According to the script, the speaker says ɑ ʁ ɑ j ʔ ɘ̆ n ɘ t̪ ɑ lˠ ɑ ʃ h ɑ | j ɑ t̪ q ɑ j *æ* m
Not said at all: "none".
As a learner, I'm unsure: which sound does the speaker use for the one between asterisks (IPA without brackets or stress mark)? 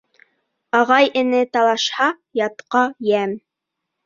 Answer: æ